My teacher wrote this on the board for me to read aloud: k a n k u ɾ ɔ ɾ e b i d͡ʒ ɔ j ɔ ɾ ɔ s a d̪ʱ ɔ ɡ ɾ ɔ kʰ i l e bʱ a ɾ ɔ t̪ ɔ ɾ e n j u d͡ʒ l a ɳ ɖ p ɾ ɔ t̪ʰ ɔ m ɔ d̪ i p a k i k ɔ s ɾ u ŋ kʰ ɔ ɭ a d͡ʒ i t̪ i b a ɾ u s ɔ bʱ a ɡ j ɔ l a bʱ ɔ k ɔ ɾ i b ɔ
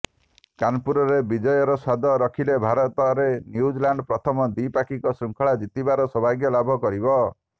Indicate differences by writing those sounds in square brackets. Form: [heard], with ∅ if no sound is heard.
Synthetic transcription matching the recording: k a n [p] u ɾ ɔ ɾ e b i d͡ʒ ɔ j ɔ ɾ ɔ s a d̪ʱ ɔ [∅] ɾ ɔ kʰ i l e bʱ a ɾ ɔ t̪ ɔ ɾ e n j u d͡ʒ l a ɳ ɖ p ɾ ɔ t̪ʰ ɔ m ɔ d̪ i p a k i k ɔ s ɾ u ŋ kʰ ɔ ɭ a d͡ʒ i t̪ i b a ɾ [ɔ] s ɔ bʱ a ɡ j ɔ l a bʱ ɔ k ɔ ɾ i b ɔ